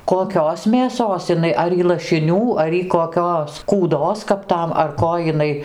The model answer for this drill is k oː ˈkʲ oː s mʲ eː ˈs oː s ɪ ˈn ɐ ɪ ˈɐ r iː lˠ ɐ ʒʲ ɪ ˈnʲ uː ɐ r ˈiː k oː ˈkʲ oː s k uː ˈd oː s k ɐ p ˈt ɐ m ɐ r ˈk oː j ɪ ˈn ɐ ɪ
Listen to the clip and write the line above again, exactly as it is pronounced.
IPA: k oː ˈkʲ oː s mʲ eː ˈs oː s ɪ ˈn ɐ ɪ ˈɐ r iː lˠ ɐ ʃʲ ɪ ˈnʲ uː ɐ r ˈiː k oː ˈkʲ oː s k uː ˈd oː s k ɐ p ˈt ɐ m ɐ r ˈk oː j ɪ ˈn ɐ ɪ